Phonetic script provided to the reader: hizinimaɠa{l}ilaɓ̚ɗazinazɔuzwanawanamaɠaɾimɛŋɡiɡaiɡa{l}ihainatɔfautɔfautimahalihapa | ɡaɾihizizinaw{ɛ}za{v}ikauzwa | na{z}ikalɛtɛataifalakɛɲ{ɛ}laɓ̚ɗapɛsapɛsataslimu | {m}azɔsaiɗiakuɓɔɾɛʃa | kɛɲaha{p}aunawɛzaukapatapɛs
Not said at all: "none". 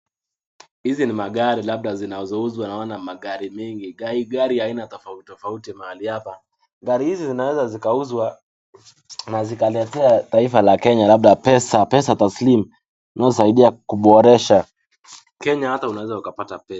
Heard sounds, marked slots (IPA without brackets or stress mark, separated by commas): ɾ, ɾ, ɛ, z, z, a, n, t